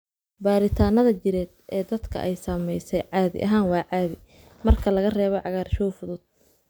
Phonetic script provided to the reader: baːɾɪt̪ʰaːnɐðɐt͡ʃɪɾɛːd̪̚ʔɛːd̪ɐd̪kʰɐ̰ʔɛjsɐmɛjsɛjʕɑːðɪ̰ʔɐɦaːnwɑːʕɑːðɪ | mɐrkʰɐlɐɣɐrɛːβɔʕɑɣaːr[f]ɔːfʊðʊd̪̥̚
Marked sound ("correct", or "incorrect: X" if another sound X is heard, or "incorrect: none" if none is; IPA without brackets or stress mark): incorrect: ʃ